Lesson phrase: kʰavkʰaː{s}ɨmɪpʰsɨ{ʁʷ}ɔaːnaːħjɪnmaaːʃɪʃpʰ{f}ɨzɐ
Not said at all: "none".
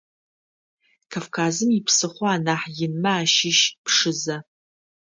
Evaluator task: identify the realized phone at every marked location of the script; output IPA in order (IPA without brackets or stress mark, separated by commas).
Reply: z, χʷ, ʂ